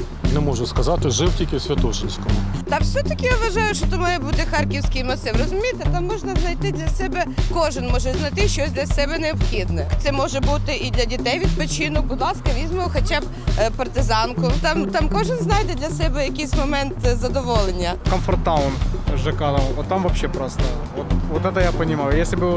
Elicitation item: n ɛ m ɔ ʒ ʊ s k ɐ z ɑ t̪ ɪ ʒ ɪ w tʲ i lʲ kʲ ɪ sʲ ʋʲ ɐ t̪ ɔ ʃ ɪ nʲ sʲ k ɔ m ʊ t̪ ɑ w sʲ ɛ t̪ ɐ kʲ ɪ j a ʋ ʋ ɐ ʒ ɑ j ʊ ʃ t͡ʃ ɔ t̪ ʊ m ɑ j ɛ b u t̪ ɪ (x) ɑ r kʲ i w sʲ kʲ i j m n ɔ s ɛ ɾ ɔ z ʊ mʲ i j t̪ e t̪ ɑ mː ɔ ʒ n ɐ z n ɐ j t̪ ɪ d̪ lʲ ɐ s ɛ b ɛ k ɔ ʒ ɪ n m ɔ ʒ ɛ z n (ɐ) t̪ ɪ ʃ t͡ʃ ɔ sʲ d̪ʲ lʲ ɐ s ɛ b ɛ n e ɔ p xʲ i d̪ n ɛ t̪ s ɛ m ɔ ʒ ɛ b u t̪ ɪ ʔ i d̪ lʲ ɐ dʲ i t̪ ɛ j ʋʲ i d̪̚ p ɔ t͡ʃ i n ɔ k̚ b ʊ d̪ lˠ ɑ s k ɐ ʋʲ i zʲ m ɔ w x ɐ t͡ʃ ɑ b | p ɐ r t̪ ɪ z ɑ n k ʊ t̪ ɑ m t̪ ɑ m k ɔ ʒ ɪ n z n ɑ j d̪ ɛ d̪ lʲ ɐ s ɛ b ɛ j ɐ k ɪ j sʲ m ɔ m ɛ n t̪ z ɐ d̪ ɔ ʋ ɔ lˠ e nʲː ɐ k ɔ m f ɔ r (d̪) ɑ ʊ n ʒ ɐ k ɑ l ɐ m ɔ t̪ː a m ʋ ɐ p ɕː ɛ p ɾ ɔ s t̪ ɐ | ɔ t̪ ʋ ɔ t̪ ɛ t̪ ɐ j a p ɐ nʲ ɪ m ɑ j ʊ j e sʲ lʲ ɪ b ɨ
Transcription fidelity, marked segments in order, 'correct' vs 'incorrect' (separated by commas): correct, correct, incorrect